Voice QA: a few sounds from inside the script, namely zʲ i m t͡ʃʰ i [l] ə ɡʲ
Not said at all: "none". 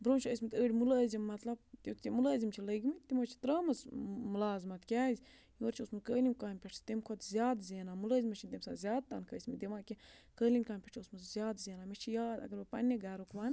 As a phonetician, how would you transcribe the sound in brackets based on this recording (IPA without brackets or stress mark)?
l